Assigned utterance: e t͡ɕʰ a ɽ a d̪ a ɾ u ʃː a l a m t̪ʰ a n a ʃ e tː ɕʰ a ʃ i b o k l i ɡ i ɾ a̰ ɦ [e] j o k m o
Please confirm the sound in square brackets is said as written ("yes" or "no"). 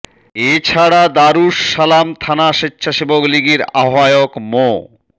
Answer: no